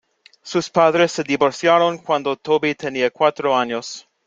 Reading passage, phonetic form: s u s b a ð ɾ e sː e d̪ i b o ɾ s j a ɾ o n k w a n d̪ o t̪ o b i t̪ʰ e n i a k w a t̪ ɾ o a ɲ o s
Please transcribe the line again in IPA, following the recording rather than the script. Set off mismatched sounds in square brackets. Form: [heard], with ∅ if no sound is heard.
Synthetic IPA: s u s [p] a ð ɾ e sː e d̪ i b o ɾ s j a ɾ o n k w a n d̪ o t̪ o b i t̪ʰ e n i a k w a t̪ ɾ o a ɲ o s